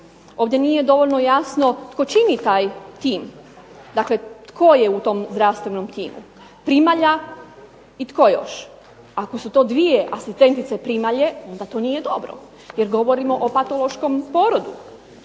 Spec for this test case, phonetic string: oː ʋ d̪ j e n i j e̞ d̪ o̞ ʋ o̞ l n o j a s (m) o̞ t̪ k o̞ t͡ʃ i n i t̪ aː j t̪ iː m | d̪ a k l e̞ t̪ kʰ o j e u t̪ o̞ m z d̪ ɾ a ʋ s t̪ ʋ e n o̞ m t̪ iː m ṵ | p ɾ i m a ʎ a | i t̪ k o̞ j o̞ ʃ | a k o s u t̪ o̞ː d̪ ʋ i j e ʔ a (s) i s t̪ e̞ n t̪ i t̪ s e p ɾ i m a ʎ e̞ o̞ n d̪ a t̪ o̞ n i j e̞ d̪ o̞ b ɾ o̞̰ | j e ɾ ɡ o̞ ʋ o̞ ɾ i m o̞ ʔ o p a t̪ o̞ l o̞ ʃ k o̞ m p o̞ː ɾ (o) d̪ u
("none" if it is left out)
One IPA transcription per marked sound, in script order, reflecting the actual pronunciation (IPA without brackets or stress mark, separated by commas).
n, s, o